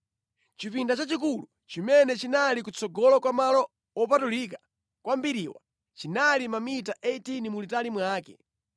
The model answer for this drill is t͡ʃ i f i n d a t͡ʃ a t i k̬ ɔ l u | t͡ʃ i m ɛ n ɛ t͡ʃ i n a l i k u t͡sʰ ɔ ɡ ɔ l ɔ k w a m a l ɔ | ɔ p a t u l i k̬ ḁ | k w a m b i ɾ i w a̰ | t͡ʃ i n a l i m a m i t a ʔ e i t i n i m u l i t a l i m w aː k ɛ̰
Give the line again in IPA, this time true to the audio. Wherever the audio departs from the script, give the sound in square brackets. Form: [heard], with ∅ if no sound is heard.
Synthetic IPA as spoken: t͡ʃ i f i n d a t͡ʃ a [t͡ʃ] i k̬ [u] l u | t͡ʃ i m ɛ n ɛ t͡ʃ i n a l i k u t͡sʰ ɔ ɡ ɔ l ɔ k w a m a l ɔ | ɔ p a t u l i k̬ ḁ | k w a m b i ɾ i w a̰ | t͡ʃ i n a l i m a m i t a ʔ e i t i n i m u l i t a l i m w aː k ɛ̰

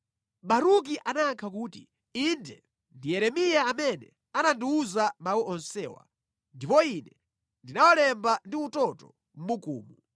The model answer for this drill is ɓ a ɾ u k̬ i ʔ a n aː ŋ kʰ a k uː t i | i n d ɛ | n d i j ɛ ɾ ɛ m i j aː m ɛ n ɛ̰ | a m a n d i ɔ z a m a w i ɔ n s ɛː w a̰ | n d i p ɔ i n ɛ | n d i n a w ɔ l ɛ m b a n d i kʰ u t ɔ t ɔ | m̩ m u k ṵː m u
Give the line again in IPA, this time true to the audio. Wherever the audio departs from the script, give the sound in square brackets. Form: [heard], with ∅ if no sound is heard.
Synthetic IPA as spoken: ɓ a ɾ u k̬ i ʔ a n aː ŋ kʰ a k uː t i | i n d ɛ | n d i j ɛ ɾ ɛ m i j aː m ɛ n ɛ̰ | a [n] a n d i [u] z a m a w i ɔ n s ɛː w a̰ | n d i p ɔ i n ɛ | n d i n a w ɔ l ɛ m b a n d i [∅] u t ɔ t ɔ | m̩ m u k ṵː m u

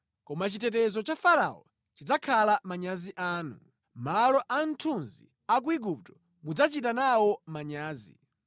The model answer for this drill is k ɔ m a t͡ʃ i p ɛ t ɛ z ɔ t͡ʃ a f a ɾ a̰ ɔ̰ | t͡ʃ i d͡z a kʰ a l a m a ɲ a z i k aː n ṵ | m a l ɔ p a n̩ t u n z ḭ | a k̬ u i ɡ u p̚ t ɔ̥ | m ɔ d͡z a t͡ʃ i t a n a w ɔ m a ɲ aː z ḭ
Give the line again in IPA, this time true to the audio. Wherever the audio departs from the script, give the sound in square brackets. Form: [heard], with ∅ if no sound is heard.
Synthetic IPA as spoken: k ɔ m a t͡ʃ i [t] ɛ t ɛ z ɔ t͡ʃ a f a ɾ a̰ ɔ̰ | t͡ʃ i d͡z a kʰ a l a m a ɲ a z i [ʔ] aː n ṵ | m a l ɔ [ʔ] a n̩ [tʰ] u n z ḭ | a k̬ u i ɡ u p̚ t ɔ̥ | m [u] d͡z a t͡ʃ i t a n a w ɔ m a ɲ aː z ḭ

